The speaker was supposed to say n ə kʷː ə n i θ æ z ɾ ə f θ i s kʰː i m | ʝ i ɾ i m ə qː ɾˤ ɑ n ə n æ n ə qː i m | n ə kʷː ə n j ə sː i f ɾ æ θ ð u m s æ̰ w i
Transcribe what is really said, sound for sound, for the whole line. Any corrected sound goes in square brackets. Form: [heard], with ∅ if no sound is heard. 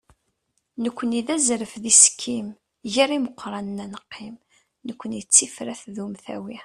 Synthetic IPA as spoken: n ə kʷː ə n i [ð] æ z ɾ ə f [ð] i s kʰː i m | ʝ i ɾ i m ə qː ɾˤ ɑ n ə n æ n ə qː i m | n ə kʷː ə n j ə [t͡sː] i f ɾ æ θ ð u m [θ] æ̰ w i